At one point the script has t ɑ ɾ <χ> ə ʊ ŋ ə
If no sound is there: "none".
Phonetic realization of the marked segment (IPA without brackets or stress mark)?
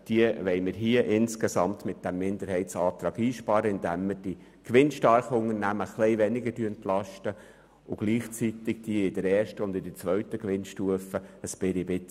χ